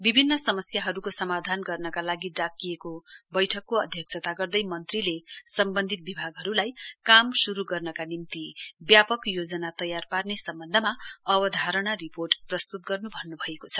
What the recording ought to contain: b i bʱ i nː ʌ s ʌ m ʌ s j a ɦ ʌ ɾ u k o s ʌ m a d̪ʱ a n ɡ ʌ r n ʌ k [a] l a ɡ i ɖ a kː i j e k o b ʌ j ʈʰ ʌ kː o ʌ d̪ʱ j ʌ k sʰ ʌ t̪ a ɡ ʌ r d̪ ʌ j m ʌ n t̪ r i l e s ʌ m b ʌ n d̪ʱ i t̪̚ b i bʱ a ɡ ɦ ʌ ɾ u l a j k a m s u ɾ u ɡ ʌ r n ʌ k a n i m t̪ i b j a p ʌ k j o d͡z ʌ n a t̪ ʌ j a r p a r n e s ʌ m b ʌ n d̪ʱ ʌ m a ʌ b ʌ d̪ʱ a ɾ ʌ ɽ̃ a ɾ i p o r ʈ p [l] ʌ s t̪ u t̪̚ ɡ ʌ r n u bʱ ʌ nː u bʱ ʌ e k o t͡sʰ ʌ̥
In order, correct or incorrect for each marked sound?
correct, incorrect

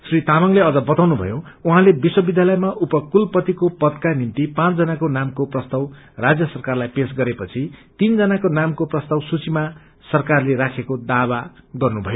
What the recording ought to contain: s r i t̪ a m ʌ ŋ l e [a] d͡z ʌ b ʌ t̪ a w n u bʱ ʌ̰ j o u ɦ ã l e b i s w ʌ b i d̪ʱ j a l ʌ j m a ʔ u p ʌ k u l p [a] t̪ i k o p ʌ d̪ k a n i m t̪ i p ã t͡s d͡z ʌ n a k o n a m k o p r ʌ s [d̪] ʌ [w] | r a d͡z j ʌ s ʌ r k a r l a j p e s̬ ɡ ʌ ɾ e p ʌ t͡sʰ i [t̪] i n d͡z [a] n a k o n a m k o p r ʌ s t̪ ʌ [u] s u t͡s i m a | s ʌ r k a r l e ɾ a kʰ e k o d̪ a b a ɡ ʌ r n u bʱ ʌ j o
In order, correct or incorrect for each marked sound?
incorrect, incorrect, incorrect, correct, correct, incorrect, incorrect

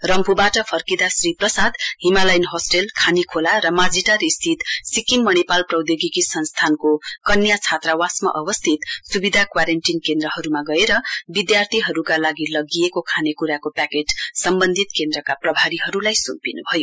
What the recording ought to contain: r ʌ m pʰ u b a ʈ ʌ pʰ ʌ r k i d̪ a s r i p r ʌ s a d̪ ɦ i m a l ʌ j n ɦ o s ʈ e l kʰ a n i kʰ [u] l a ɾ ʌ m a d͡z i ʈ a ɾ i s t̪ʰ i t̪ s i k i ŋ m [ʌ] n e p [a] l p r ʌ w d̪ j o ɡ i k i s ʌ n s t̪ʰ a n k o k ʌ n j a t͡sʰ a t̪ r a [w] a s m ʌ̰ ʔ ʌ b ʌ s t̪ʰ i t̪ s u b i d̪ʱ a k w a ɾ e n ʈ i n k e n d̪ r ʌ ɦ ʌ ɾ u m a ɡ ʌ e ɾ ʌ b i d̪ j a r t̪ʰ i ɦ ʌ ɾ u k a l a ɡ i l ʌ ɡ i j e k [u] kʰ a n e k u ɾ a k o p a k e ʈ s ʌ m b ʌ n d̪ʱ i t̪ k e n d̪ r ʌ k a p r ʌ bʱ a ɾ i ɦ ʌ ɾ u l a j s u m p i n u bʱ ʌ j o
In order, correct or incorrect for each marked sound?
incorrect, correct, correct, correct, incorrect

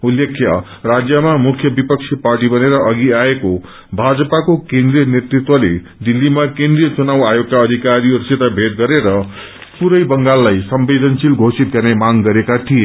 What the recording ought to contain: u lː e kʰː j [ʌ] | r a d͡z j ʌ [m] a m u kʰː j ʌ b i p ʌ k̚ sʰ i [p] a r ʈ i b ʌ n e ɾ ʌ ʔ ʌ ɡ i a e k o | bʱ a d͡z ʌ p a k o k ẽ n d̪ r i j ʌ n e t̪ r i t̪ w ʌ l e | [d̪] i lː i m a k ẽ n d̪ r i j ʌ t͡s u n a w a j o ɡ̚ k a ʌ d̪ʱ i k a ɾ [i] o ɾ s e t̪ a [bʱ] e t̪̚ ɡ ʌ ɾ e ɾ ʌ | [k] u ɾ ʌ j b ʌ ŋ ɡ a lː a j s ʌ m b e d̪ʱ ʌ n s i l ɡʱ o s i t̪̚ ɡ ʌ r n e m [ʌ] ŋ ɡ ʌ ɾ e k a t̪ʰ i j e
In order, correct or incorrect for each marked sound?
correct, correct, correct, correct, correct, correct, incorrect, incorrect

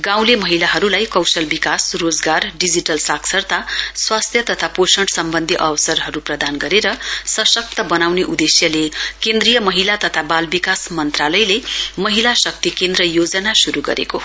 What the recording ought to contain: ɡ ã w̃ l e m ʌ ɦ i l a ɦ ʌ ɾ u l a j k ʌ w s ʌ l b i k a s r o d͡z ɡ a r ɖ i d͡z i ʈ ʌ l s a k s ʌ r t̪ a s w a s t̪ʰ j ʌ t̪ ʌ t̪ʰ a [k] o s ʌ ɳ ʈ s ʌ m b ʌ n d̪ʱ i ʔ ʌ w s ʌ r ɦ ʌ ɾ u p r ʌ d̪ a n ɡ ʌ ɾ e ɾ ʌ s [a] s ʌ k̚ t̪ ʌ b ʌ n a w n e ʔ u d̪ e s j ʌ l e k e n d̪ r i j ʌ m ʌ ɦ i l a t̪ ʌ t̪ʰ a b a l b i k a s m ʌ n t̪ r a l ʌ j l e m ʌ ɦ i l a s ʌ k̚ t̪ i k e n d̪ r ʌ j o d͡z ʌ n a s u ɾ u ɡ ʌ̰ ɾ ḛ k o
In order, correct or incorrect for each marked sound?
incorrect, incorrect

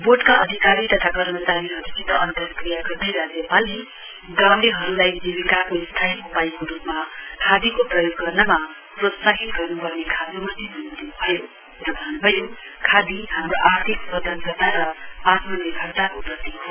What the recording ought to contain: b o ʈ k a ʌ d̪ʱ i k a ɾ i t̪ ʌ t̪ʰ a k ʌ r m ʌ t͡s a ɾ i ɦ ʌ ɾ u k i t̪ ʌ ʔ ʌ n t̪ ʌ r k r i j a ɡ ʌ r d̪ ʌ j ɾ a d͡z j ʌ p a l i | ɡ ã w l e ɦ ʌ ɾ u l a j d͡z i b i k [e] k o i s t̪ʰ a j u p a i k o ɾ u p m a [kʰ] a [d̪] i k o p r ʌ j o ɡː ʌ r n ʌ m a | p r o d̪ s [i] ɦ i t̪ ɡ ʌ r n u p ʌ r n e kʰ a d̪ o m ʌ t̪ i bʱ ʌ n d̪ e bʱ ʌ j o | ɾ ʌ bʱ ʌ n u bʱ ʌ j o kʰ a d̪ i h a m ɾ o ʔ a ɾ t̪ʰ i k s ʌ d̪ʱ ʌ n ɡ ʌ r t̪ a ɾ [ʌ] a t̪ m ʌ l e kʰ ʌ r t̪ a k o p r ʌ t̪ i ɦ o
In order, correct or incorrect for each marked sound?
incorrect, correct, correct, incorrect, correct

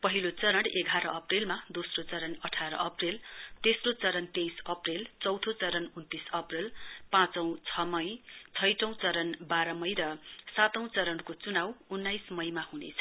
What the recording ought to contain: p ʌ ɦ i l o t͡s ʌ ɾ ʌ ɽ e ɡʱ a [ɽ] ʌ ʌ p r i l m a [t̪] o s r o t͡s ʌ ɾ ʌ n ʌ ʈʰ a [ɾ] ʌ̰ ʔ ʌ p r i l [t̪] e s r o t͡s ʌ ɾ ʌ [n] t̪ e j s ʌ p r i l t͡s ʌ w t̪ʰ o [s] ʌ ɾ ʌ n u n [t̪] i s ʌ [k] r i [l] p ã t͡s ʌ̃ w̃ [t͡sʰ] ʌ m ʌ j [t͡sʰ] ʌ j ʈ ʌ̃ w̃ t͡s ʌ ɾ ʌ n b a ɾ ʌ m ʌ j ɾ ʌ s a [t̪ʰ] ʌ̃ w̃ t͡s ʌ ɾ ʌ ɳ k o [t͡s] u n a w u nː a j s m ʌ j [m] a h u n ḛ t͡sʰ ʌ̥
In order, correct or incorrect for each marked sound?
incorrect, incorrect, correct, correct, correct, incorrect, correct, incorrect, correct, correct, correct, incorrect, correct, correct

